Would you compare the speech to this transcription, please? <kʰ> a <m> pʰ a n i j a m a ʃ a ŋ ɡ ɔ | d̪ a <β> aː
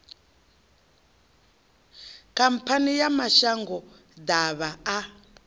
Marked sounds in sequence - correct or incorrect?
incorrect: k, correct, correct

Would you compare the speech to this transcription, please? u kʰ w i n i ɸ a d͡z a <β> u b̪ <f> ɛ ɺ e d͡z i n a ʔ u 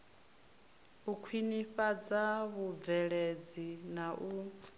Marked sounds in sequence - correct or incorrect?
correct, incorrect: v

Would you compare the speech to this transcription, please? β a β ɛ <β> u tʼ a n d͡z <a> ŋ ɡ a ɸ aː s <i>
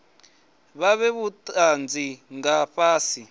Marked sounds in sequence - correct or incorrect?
correct, incorrect: i, correct

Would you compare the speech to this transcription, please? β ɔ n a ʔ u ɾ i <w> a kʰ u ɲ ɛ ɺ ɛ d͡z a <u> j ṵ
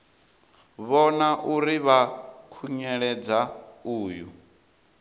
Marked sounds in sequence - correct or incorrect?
incorrect: β, incorrect: uː

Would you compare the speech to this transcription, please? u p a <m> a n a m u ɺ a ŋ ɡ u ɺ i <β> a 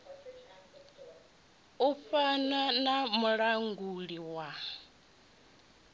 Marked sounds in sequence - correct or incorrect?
incorrect: n, incorrect: w

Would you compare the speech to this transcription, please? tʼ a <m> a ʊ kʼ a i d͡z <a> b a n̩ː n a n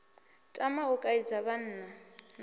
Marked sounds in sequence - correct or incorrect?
correct, correct

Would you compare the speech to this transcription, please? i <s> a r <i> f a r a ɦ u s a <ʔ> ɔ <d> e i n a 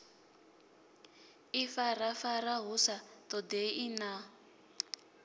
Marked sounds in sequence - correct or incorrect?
incorrect: f, incorrect: a, incorrect: t, correct

